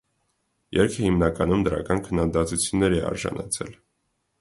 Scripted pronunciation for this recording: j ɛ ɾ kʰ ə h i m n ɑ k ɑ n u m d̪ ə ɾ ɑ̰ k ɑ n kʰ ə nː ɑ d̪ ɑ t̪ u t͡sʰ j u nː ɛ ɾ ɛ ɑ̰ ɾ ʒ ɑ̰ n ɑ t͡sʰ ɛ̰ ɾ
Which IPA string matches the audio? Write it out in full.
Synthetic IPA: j ɛ ɾ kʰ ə h i m n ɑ k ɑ n u m d̪ ə ɾ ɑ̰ k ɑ n kʰ ə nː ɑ d̪ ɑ t̪ u t͡sʰ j u nː ɛ ɾ ɛ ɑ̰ ɾ ʒ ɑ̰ n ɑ t͡sʰ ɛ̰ l